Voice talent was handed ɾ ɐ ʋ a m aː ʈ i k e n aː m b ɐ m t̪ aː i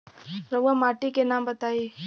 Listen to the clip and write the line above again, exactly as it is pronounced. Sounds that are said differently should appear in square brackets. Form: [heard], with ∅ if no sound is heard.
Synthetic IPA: ɾ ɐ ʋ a m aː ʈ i k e n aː m b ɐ [∅] t̪ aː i